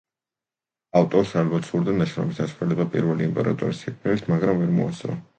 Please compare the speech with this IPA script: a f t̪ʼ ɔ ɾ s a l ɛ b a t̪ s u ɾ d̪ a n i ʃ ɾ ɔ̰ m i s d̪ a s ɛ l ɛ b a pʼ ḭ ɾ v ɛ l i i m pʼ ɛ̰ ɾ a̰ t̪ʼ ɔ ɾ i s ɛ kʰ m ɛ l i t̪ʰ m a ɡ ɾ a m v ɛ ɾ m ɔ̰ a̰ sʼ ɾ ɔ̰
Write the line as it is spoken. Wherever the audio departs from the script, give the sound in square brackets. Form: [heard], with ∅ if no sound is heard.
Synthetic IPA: a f t̪ʼ ɔ ɾ s a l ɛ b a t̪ s u ɾ d̪ a n [a] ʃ ɾ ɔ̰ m i s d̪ a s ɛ l ɛ b a pʼ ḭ ɾ v ɛ l i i m pʼ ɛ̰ ɾ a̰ t̪ʼ ɔ ɾ i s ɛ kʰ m ɛ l i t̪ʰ m a ɡ ɾ a m v ɛ ɾ m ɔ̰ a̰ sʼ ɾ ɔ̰